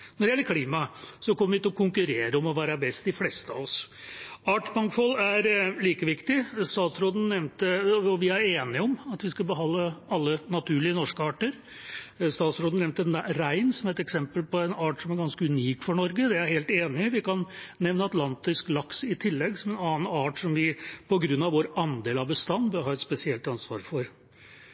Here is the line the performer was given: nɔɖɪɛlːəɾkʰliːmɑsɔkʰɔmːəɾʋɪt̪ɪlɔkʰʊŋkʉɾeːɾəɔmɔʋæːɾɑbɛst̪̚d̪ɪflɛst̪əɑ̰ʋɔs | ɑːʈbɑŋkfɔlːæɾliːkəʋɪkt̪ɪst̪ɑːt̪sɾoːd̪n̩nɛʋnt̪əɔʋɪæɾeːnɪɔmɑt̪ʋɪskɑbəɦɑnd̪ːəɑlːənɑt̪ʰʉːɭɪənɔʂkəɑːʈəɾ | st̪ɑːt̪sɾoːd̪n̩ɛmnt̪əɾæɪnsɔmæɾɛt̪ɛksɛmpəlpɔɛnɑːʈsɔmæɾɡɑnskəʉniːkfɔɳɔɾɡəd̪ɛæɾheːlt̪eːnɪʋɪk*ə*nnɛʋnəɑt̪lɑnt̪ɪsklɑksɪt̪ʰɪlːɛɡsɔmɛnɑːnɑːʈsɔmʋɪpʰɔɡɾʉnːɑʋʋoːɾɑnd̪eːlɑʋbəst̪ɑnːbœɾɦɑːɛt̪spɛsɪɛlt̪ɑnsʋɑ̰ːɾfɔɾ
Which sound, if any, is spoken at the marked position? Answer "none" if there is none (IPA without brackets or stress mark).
ɑ